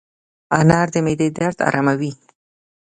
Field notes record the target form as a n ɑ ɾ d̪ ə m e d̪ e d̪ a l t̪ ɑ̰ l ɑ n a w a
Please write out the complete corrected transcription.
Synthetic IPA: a n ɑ ɾ d̪ ə m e d̪ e d̪ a ɾ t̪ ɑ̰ ɾ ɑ m a w i

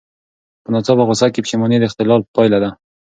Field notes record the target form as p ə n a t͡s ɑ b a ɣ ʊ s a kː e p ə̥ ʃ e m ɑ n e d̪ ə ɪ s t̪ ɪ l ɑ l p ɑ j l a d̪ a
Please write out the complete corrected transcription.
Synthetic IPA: p ə n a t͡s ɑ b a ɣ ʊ s a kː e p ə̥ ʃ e m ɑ n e d̪ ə ɪ x t̪ ɪ l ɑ l p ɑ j l a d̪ a

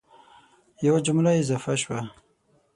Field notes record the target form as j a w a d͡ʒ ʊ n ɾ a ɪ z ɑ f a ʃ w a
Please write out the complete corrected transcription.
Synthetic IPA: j a w a d͡ʒ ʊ m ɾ a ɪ z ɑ f a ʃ w a

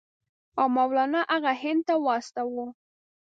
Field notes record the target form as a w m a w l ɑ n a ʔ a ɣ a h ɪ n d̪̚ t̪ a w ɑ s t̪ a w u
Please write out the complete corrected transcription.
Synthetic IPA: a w m a w l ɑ n a ʔ a ɣ a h ɪ n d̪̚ t̪ a w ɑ s t̪ a w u

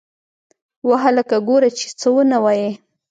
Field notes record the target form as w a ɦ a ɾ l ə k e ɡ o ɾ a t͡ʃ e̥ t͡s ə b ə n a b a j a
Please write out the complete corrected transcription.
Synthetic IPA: w a ɦ a l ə k a ɡ o ɾ a t͡ʃ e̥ t͡s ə w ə n a w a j e

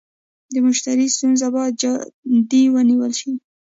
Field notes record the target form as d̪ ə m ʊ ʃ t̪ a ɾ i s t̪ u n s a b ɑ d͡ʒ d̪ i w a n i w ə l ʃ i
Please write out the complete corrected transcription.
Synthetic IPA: d̪ ə m ʊ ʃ t̪ a ɾ i s t̪ u n z a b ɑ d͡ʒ d̪ i w ə n i w ə l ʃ i

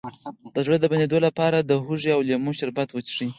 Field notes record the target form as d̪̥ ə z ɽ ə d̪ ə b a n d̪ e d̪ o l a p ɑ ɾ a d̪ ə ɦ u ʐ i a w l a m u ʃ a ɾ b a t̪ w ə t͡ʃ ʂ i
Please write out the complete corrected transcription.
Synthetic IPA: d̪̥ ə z ɽ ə d̪ ə b a n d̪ e d̪ o l a p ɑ ɾ a d̪ ə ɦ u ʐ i a w l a m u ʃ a ɾ b a t̪ w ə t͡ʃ ʂ i

